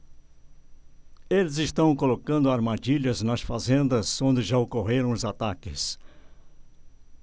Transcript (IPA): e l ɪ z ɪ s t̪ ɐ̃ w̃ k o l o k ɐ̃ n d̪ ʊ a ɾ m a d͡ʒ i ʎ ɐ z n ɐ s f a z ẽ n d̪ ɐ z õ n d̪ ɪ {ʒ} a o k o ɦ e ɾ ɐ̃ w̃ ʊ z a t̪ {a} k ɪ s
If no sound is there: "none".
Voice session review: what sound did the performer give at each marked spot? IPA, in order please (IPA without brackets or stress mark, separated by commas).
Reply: ʒ, a